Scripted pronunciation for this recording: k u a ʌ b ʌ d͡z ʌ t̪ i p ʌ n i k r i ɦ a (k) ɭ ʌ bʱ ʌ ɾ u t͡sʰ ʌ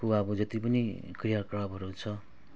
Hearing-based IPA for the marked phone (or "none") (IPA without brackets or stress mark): k